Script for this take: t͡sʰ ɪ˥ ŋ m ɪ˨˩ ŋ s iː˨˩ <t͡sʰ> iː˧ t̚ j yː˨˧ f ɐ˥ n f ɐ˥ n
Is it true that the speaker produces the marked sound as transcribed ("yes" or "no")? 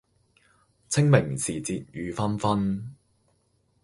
no